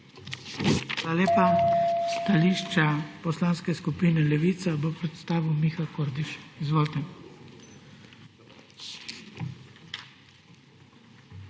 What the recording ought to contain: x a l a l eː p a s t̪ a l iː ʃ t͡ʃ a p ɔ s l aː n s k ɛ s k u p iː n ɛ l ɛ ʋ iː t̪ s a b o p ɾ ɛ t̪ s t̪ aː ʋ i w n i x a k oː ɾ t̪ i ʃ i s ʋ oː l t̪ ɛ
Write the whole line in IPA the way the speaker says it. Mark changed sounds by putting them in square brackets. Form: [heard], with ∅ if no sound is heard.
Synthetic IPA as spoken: x a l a l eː p a s t̪ a l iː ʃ t͡ʃ a p ɔ s l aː n s k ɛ s k u p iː n ɛ l ɛ ʋ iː t̪ s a b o p ɾ ɛ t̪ s t̪ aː ʋ i w [m] i x a k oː ɾ [d̪] i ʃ i [z] ʋ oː l t̪ ɛ